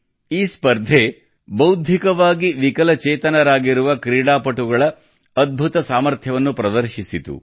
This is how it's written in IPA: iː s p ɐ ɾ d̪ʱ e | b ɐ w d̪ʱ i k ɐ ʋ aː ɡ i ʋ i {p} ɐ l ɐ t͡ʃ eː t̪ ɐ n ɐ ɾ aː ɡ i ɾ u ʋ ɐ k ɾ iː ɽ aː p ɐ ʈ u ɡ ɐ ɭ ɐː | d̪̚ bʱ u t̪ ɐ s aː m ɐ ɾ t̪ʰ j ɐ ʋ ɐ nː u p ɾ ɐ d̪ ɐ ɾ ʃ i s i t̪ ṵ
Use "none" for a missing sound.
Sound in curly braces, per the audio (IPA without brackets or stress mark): k